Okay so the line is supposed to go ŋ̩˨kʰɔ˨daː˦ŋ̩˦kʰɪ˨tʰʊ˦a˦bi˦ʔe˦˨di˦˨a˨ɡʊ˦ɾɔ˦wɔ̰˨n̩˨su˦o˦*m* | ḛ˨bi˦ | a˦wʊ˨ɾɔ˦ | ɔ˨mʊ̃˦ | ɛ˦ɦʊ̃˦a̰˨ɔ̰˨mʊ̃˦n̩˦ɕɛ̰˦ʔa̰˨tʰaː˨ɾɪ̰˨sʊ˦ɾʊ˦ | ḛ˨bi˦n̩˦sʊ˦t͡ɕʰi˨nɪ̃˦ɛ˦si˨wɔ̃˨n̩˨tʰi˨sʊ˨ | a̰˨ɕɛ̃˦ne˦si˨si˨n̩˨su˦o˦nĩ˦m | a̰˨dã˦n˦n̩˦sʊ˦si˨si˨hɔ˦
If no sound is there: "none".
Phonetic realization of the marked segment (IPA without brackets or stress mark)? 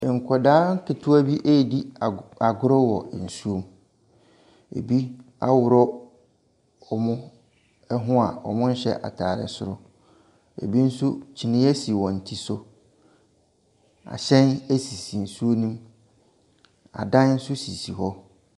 m